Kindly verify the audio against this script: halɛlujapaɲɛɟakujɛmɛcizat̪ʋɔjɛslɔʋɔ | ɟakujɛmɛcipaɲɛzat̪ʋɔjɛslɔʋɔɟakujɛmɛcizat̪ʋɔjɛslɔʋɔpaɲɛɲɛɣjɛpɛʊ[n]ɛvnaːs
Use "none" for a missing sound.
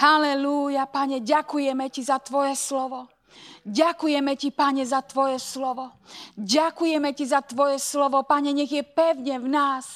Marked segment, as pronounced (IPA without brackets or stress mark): ɲ